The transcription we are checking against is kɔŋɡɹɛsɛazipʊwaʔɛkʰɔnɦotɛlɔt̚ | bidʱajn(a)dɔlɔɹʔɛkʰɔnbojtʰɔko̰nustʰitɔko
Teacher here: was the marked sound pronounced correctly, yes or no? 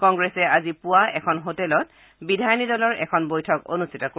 no